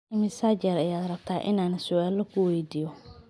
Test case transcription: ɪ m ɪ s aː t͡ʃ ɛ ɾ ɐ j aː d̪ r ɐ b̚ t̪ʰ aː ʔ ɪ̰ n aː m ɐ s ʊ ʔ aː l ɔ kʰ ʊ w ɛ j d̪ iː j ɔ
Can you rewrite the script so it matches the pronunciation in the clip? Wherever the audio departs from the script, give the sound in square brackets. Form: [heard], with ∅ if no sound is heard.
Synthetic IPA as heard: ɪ m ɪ s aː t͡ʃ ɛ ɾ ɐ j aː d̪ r ɐ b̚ t̪ʰ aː ʔ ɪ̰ n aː [n] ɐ s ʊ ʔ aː l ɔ kʰ ʊ w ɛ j d̪ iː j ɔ